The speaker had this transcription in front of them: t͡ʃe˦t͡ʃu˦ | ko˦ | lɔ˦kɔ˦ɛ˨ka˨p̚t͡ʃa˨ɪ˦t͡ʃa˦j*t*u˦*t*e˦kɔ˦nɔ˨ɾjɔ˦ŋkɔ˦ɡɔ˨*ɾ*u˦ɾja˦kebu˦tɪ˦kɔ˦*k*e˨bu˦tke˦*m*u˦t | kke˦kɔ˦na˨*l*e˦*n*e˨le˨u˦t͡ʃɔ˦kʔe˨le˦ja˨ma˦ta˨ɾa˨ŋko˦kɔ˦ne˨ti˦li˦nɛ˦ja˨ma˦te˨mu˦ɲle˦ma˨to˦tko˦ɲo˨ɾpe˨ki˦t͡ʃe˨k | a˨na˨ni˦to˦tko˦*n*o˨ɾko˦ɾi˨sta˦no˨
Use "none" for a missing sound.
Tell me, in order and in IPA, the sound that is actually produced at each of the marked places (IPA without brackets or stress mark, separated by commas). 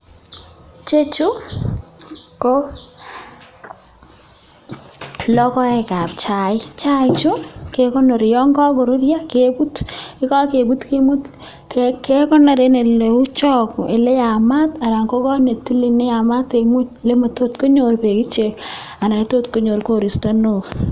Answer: t͡ʃ, k, ɾ, k, m, ɾ, n, ɲ